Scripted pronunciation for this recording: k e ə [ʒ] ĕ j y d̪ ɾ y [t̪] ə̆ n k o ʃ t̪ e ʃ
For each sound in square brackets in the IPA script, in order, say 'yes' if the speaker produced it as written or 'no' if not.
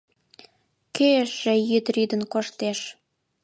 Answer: no, no

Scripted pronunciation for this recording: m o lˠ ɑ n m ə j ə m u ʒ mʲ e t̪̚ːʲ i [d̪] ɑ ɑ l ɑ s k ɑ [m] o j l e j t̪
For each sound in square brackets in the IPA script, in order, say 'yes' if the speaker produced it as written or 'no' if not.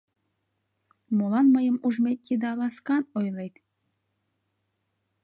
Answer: yes, no

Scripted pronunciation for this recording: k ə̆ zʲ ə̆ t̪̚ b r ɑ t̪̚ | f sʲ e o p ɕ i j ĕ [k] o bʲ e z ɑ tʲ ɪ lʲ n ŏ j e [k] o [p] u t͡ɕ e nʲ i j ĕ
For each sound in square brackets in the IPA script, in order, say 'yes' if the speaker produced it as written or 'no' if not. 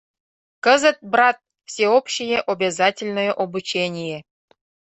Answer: no, no, no

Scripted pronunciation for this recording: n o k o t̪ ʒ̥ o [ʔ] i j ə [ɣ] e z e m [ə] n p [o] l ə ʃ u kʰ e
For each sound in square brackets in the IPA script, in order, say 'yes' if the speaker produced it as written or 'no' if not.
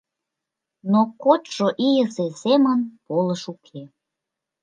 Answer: yes, no, yes, yes

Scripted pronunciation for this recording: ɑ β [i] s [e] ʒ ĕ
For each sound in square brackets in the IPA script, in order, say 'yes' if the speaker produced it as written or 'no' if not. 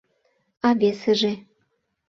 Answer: no, yes

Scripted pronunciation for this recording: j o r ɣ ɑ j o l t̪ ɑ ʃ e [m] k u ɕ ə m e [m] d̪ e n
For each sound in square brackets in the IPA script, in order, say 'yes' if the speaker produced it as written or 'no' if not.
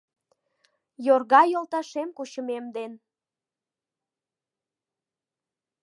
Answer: yes, yes

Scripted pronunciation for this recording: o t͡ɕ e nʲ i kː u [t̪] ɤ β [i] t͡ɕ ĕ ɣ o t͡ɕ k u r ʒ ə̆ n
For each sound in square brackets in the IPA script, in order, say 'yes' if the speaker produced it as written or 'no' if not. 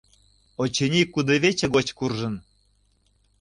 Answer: no, no

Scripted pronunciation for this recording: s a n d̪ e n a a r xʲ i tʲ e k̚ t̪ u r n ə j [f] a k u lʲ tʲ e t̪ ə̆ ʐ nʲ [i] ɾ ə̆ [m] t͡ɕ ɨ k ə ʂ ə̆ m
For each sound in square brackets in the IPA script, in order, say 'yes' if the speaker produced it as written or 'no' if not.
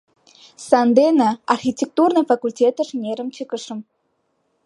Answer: yes, no, yes

